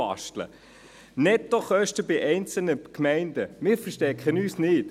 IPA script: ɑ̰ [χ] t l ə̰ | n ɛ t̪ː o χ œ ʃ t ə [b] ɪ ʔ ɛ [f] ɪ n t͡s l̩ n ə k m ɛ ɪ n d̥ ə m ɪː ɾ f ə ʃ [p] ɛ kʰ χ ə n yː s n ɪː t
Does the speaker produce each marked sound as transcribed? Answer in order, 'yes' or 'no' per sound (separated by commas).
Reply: no, yes, no, no